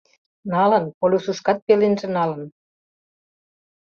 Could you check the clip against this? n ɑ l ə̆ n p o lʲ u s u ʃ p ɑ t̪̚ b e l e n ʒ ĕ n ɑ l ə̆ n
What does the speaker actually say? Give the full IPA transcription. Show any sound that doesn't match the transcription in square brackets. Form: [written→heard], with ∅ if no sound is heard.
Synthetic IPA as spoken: n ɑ l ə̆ n p o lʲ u s u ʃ [p→k] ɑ t̪̚ [b→p] e l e n ʒ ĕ n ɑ l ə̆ n